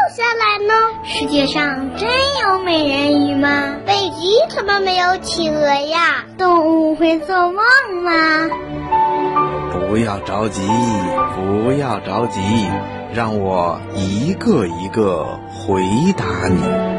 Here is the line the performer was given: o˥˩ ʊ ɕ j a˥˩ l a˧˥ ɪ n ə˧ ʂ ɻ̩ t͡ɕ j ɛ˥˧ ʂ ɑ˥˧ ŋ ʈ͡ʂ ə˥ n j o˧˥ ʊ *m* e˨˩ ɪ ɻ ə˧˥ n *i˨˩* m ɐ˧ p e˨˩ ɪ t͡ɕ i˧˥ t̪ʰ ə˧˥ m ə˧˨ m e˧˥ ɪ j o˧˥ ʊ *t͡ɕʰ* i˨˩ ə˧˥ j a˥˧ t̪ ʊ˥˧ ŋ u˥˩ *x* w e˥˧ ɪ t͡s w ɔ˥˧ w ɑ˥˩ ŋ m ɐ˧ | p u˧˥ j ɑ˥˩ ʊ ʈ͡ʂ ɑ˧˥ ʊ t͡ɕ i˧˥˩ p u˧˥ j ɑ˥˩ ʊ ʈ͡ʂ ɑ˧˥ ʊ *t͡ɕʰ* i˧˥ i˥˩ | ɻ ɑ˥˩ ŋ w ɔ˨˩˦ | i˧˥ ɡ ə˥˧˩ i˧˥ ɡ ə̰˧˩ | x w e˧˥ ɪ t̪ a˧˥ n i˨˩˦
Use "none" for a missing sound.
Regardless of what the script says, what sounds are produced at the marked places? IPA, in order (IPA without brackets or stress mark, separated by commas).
m, y˨˩, t͡ɕʰ, x, t͡ɕ